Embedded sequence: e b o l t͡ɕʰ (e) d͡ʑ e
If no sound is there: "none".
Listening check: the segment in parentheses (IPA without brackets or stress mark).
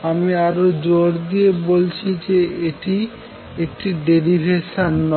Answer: i